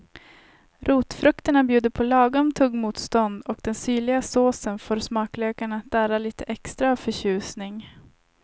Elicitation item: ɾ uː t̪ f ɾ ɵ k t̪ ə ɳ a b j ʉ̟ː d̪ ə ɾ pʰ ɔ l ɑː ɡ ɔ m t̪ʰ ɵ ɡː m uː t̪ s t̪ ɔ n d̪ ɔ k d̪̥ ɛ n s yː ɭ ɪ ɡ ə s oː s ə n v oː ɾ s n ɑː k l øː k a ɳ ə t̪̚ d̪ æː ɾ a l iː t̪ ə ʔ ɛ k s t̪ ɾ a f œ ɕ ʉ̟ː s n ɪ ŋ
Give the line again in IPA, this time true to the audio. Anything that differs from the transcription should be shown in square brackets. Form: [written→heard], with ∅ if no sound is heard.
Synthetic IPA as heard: ɾ uː t̪ f ɾ ɵ k t̪ ə ɳ a b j ʉ̟ː d̪ ə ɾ pʰ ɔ l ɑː ɡ ɔ m t̪ʰ ɵ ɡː m uː t̪ s t̪ ɔ n d̪ ɔ k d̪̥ ɛ n s yː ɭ ɪ ɡ [ə→a] s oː s ə n [v→f] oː ɾ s [n→m] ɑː k l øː k a ɳ [ə→a] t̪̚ d̪ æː ɾ a l iː t̪ ə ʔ ɛ k s t̪ ɾ a f œ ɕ ʉ̟ː s n ɪ ŋ

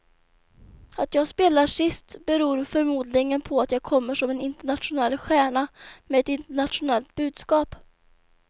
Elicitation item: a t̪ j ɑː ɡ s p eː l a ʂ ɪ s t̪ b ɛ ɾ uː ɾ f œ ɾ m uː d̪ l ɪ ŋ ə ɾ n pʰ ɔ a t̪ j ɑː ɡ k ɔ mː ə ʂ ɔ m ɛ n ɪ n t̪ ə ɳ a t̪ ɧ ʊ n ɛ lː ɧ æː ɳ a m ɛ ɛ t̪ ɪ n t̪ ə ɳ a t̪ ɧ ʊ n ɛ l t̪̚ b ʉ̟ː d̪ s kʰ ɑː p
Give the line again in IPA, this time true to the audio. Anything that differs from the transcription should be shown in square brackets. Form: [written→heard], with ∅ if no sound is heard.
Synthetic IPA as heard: a t̪ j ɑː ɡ s p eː l a ʂ ɪ s t̪ b ɛ ɾ uː ɾ f œ ɾ m uː d̪ l ɪ ŋ ə [ɾ→∅] n pʰ ɔ a t̪ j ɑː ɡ [k→kʰ] ɔ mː ə ʂ ɔ m ɛ n ɪ n t̪ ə ɳ a t̪ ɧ ʊ n ɛ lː ɧ æː ɳ a m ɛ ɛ t̪ ɪ n t̪ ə ɳ a t̪ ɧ ʊ n ɛ l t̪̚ b ʉ̟ː d̪ s [kʰ→k] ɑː p

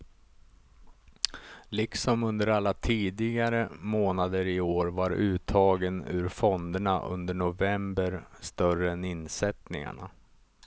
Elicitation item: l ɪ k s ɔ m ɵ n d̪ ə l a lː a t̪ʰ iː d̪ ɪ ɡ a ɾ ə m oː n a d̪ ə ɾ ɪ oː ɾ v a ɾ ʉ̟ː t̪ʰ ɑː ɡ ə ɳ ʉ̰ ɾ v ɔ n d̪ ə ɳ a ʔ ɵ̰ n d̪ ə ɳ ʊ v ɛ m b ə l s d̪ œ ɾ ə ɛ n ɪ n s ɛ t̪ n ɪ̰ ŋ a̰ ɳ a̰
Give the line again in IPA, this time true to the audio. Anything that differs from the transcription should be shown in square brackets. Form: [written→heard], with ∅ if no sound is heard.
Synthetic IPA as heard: l ɪ k s ɔ m ɵ n d̪ ə [l→ɾ] a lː a t̪ʰ iː d̪ ɪ ɡ a ɾ ə m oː n a d̪ ə ɾ ɪ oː ɾ v a ɾ ʉ̟ː t̪ʰ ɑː ɡ ə [ɳ→n] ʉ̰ ɾ [v→f] ɔ n d̪ ə ɳ a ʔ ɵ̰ n d̪ ə ɳ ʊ v ɛ m b ə [l→ɾ] s [d̪→t̪] œ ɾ ə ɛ n ɪ n s ɛ t̪ n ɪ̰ ŋ a̰ ɳ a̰

